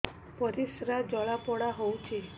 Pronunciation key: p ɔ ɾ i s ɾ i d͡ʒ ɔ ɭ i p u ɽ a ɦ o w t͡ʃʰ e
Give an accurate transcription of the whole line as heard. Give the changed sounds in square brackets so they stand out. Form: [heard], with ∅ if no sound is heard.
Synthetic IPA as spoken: p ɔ ɾ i s ɾ [a] d͡ʒ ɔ ɭ [a] p [ɔ] ɽ a ɦ o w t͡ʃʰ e